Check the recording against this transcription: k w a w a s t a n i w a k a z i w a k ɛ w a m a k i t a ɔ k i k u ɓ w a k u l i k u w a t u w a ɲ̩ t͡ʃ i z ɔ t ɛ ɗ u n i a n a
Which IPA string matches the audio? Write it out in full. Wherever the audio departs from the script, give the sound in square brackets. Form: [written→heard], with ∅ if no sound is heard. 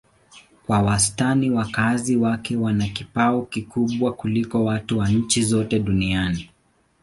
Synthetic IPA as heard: k w a w a s t a n i w a k a z i w a k ɛ w a [m→n] a k i [t→p] a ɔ k i k u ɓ w a k u l i k [u→ɔ] w a t u w a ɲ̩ t͡ʃ i z ɔ t ɛ ɗ u n i a n [a→i]